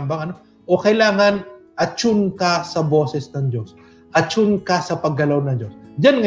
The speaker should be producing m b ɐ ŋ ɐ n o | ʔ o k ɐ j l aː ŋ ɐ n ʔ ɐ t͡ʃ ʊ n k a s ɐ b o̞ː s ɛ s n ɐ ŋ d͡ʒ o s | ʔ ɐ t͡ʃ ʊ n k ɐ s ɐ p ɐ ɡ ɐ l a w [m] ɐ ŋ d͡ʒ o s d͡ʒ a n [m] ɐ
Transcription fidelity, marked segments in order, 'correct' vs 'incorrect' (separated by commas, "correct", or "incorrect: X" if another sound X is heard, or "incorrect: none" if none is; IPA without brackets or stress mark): incorrect: n, incorrect: ŋ